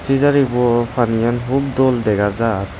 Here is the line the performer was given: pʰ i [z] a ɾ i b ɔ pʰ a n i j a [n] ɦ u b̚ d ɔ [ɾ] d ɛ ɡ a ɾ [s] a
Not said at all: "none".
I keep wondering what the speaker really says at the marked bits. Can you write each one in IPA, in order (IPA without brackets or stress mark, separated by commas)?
z, n, l, z